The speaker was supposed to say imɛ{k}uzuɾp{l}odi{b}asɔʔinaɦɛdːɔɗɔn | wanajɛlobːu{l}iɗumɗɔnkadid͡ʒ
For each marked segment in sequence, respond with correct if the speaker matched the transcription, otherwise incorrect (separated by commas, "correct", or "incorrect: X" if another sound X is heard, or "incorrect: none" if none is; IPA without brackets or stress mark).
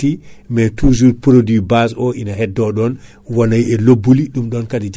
incorrect: t, incorrect: ɾ, correct, correct